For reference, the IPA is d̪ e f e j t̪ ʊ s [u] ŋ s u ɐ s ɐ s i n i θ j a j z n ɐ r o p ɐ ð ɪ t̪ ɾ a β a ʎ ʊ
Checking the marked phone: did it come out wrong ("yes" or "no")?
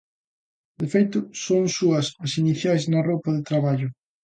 yes